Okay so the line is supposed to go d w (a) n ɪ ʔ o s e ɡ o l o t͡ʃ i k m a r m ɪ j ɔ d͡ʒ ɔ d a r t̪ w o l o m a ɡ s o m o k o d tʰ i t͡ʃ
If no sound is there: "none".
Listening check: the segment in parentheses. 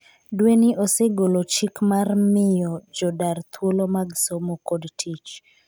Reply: e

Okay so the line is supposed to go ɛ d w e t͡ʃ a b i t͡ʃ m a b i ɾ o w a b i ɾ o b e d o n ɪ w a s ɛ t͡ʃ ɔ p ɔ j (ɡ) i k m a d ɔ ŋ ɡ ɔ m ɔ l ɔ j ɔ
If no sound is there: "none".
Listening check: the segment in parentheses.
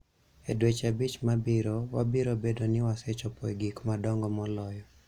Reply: ɡ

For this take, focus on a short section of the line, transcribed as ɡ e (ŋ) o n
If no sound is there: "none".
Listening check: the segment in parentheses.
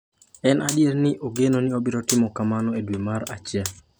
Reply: n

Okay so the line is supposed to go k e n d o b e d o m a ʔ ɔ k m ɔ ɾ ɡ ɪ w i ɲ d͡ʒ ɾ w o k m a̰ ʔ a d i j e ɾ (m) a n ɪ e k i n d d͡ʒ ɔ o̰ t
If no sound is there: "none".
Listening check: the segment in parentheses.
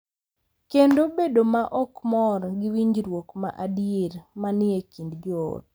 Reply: m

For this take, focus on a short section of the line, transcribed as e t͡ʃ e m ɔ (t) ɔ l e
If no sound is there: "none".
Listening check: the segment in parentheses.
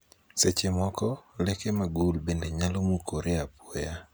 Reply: k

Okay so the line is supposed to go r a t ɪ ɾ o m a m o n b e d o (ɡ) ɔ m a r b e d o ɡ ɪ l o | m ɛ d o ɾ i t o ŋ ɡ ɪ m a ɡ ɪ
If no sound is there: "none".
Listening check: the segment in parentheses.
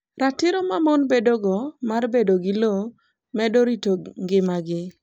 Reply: ɡ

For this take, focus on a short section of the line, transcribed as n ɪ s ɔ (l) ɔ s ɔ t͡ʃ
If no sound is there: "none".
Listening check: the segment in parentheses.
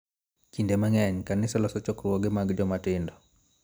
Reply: l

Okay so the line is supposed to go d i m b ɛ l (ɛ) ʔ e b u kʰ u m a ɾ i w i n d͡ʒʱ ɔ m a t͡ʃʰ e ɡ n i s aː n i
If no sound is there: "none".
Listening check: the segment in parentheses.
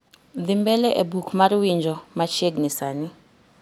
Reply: ɛ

